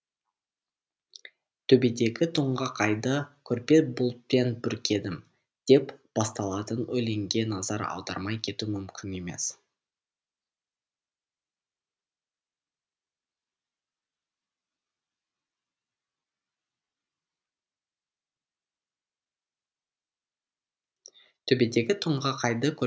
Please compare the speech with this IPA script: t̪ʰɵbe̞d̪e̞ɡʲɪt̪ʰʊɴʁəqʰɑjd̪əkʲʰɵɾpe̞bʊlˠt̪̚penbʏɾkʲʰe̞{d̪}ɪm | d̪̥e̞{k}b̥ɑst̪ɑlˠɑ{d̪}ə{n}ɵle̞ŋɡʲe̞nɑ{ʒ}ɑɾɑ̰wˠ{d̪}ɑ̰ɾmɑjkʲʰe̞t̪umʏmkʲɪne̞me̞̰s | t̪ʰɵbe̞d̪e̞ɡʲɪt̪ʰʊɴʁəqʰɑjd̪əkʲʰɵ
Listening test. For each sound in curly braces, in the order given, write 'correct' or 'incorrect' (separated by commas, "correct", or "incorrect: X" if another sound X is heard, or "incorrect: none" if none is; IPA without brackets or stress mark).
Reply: correct, incorrect: p, incorrect: t̪, correct, incorrect: z, correct